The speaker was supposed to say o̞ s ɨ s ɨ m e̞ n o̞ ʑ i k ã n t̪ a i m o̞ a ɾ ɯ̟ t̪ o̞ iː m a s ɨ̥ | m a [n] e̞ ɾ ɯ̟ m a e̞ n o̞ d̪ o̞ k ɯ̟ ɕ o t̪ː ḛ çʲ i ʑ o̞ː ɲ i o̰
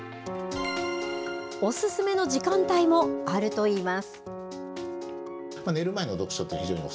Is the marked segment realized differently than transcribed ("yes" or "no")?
no